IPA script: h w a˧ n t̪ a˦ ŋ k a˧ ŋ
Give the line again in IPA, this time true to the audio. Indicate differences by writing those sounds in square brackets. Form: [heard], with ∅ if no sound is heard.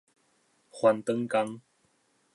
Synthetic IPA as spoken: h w a˧ n t̪ [ə˦] ŋ k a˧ ŋ